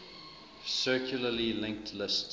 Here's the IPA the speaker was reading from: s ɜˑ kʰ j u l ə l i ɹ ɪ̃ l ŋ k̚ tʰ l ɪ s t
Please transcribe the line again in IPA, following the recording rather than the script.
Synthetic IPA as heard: s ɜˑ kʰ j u l ə l i l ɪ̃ ŋ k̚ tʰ l ɪ s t